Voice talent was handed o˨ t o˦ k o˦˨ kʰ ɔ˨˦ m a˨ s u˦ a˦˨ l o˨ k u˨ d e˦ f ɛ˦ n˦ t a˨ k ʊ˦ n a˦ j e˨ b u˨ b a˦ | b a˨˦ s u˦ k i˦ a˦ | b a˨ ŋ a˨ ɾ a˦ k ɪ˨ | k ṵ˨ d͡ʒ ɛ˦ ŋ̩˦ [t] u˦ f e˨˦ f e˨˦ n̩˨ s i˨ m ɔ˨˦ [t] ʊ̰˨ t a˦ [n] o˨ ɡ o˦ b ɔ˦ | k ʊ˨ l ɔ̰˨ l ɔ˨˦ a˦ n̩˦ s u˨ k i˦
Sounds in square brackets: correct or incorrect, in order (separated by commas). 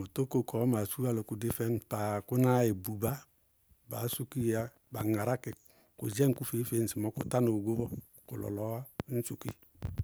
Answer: incorrect, incorrect, correct